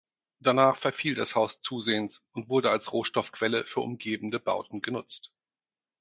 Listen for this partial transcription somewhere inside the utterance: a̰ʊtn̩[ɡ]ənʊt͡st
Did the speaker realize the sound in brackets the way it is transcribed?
yes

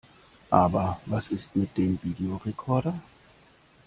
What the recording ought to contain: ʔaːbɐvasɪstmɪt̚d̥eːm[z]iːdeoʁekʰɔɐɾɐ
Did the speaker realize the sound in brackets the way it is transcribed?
no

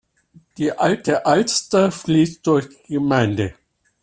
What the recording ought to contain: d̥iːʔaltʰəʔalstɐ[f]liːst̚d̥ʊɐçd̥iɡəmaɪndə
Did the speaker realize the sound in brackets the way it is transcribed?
yes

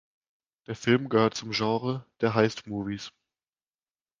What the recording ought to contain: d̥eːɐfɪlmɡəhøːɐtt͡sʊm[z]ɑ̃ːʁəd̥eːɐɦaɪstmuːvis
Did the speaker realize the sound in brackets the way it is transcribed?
no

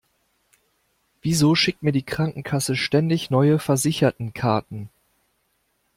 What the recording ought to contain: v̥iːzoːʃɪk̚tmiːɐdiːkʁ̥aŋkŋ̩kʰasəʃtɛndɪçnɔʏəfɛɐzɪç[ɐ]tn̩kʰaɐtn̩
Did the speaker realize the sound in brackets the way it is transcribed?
yes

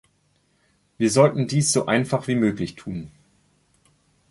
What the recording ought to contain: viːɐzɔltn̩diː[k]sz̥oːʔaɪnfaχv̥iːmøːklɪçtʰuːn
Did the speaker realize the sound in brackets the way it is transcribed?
no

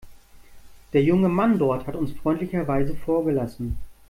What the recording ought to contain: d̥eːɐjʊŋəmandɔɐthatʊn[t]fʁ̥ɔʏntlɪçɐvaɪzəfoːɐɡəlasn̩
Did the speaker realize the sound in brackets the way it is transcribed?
no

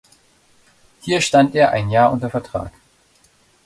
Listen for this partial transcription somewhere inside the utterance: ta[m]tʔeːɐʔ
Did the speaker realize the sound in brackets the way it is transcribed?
no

